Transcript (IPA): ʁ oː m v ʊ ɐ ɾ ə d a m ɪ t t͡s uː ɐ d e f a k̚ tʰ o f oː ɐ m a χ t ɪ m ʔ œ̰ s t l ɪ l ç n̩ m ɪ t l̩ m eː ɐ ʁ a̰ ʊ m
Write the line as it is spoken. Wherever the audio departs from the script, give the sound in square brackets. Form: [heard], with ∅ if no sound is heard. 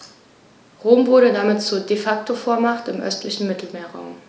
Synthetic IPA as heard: ʁ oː m v ʊ ɐ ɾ ə d a m ɪ t t͡s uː ɐ d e f a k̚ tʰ o f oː ɐ m a χ t ɪ m ʔ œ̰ s t l ɪ [∅] ç n̩ m ɪ t l̩ m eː ɐ ʁ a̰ ʊ m